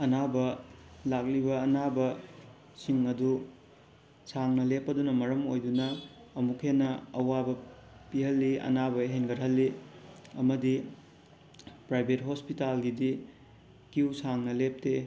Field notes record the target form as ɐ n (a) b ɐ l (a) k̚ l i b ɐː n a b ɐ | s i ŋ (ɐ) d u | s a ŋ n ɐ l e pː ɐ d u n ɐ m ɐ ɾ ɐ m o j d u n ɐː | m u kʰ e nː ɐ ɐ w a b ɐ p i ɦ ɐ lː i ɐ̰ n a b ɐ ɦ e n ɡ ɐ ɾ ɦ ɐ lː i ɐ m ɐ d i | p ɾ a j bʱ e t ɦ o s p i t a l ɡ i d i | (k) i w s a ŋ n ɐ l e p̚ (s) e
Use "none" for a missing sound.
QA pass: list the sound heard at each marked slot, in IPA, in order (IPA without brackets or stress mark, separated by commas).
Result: a, a, ɐ, k, t